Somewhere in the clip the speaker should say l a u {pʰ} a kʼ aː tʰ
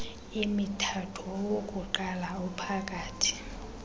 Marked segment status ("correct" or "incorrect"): correct